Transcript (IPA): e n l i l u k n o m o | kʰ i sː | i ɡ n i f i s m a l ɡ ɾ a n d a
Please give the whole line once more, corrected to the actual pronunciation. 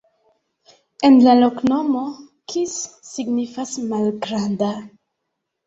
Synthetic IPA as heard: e n l a l o k n o m o | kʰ i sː | i ɡ n i f a s m a l ɡ ɾ a n d a